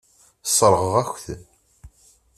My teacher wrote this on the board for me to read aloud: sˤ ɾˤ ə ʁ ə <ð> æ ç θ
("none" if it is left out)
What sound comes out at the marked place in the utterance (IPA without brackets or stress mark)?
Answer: ʁ